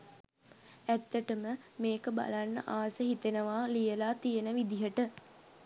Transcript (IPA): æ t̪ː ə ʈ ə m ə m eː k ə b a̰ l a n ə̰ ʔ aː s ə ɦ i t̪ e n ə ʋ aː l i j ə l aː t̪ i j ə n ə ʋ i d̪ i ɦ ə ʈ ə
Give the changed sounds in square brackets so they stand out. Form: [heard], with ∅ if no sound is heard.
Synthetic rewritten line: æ t̪ː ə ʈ ə m ə m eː k ə b a̰ l a [nː] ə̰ ʔ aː s ə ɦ i t̪ e n ə ʋ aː l i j ə l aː t̪ i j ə n ə ʋ i d̪ i ɦ ə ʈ ə

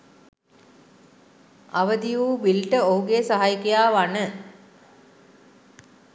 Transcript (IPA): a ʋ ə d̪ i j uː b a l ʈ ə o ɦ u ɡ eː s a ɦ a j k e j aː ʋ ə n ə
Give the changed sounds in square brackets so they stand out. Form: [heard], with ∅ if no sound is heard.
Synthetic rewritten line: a ʋ ə d̪ i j uː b [i] l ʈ ə o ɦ u ɡ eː s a ɦ a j k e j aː ʋ [a] n ə

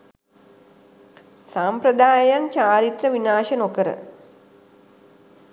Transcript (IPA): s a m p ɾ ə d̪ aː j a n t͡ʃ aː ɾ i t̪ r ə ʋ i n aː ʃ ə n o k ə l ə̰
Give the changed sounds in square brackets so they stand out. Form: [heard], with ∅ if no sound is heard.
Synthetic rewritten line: s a m p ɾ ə d̪ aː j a n t͡ʃ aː ɾ i t̪ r ə ʋ i n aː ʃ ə n o k ə [ɾ] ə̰

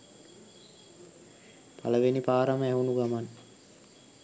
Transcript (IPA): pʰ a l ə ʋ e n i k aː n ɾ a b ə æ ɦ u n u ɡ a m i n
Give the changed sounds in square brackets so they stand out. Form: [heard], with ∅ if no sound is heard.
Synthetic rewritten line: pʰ a l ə ʋ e n i [p] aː [∅] ɾ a [m] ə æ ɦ u n u ɡ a m [a] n

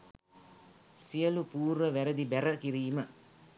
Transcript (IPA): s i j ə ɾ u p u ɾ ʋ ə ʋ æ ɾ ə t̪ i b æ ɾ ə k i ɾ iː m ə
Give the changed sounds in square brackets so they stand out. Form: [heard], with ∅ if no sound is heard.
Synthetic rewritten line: s i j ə [l] u p [uː] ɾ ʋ ə ʋ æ ɾ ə [d̪] i b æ ɾ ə k i ɾ iː m ə

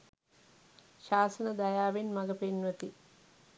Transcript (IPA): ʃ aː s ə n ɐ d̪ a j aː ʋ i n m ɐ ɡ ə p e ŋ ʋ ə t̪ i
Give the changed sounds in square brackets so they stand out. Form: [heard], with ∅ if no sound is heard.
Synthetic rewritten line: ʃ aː s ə n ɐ d̪ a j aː ʋ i n m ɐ ɡ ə p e [n] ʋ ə t̪ i

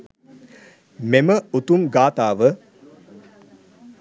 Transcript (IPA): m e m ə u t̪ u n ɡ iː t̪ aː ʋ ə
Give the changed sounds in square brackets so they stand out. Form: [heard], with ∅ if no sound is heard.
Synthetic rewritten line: m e m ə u t̪ u [m] ɡ [aː] t̪ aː ʋ ə

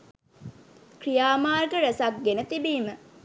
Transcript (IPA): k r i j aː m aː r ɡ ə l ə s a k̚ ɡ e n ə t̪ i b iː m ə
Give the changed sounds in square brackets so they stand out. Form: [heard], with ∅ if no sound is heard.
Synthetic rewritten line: k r i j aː m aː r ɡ ə [ɾ] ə s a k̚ ɡ e n ə t̪ i b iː m ə

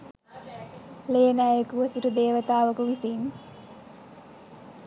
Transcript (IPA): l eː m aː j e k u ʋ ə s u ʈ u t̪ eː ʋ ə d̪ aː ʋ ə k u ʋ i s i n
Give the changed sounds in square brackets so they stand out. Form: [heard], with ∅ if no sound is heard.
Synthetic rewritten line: l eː [n] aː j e k u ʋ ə s u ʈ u [d̪] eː ʋ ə [t̪] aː ʋ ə k u ʋ i s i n

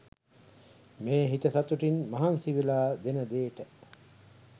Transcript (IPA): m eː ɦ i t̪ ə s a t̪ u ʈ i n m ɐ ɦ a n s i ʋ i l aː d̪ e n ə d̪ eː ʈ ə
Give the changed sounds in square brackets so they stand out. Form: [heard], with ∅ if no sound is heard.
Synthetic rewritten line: m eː ɦ i t̪ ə s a t̪ u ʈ i n m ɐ ɦ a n s i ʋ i l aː d̪ e n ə d̪ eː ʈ ə

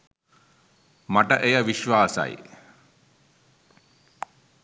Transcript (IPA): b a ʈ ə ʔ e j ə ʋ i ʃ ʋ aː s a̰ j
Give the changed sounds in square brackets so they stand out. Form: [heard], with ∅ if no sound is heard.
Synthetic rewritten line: [m] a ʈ ə ʔ e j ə ʋ i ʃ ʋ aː s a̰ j

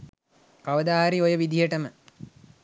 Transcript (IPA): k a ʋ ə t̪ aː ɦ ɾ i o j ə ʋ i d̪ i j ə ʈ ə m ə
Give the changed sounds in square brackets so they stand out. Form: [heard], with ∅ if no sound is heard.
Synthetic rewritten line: k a ʋ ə [d̪] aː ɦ ɾ i o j ə ʋ i d̪ i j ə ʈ ə m ə

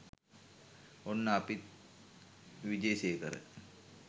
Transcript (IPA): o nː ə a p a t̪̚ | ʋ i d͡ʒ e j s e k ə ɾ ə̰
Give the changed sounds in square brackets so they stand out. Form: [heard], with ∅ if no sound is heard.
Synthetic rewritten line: o nː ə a p [i] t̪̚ | ʋ i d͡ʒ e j s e k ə ɾ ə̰

